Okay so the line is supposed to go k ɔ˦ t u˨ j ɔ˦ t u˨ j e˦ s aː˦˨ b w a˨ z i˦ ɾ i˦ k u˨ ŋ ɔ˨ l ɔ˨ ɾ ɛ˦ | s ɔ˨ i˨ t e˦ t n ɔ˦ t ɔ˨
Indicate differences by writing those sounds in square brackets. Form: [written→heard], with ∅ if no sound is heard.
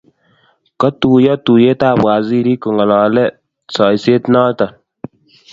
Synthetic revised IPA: k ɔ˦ t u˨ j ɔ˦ t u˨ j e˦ [s→t] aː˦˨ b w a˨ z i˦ ɾ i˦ k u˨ ŋ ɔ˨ l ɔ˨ [ɾ→l] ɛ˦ | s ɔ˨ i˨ [t→s] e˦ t n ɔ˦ t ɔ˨